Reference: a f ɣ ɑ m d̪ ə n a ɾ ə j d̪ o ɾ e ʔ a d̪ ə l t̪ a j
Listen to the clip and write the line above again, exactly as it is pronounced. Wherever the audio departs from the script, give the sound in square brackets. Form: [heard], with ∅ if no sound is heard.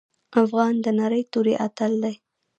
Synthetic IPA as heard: a f ɣ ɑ [n] d̪ ə n a ɾ ə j [t̪] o ɾ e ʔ a [t̪] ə l [d̪] a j